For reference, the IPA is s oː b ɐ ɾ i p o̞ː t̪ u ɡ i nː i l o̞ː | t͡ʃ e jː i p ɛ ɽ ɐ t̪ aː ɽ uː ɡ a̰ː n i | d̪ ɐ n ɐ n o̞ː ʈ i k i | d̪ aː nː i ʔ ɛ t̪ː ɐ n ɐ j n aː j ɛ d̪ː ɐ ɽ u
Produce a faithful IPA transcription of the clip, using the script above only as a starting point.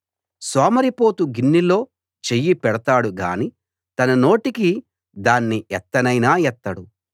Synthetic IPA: s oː m ɐ ɾ i p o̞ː t̪ u ɡ i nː i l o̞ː | t͡ʃ e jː i p ɛ ɽ ɐ t̪ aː ɽ u ɡ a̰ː n i | t̪ ɐ n ɐ n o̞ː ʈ i k i | d̪ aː nː i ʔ ɛ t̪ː ɐ n ɐ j n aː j ɛ t̪ː ɐ ɽ u